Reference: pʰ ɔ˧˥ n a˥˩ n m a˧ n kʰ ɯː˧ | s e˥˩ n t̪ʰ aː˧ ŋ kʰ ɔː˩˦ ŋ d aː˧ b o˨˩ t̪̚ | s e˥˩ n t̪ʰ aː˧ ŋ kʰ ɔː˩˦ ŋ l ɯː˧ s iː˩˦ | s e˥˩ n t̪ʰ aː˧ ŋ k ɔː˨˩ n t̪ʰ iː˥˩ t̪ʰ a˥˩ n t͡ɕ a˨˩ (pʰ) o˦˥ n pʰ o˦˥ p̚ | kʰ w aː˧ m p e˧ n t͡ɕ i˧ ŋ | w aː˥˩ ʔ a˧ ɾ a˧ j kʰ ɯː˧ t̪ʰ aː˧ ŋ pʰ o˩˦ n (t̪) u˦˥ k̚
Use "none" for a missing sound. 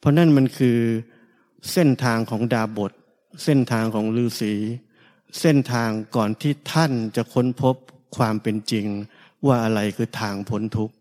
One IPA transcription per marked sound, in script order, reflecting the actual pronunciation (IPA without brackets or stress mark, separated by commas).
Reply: kʰ, t̪ʰ